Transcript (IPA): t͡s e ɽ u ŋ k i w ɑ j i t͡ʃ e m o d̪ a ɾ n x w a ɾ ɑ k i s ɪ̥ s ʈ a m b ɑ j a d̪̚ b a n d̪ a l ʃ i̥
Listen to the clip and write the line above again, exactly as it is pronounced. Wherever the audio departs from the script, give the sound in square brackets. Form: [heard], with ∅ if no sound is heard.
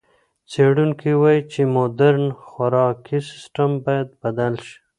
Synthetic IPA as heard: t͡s e ɽ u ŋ k i w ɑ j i t͡ʃ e m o d̪ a ɾ n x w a ɾ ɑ k i s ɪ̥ s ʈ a m b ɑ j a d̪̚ b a [∅] d̪ a l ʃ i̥